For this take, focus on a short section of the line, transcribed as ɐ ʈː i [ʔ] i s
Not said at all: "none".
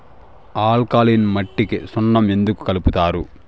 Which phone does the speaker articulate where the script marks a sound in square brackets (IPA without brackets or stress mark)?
k